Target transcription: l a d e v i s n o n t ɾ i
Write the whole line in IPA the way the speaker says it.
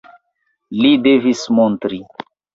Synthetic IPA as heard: l i d e v i s m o n t ɾ i